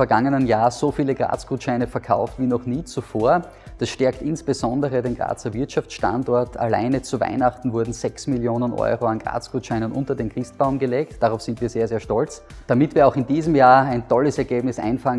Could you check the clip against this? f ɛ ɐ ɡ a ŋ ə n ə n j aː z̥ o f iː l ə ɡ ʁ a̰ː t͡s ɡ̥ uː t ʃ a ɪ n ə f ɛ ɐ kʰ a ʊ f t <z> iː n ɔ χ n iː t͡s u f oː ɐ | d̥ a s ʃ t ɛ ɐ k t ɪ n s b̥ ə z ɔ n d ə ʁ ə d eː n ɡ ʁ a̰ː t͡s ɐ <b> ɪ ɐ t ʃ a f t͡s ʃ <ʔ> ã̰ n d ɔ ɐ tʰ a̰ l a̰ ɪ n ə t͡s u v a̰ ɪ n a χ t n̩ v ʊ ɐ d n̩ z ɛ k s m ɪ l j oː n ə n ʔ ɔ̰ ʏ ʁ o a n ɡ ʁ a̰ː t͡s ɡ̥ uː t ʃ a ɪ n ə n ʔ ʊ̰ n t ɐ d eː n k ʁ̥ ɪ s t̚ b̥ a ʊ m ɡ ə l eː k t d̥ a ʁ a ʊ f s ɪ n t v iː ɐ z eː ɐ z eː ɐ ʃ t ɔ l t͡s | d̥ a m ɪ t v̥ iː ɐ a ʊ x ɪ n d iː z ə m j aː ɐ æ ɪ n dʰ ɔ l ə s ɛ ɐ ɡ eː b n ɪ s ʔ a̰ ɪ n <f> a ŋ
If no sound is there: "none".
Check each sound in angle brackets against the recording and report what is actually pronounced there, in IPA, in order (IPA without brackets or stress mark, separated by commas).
v, v, t, f